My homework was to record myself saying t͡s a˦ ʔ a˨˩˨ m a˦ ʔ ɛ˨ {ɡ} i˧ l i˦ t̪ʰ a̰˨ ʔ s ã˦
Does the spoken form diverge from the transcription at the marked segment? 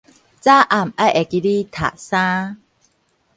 yes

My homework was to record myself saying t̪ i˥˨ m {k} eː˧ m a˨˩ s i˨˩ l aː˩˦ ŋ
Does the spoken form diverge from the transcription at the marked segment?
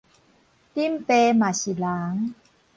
yes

